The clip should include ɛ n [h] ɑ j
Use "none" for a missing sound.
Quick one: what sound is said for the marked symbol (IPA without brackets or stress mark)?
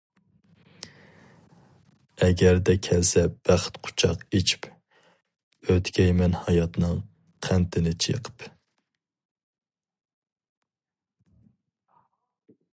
h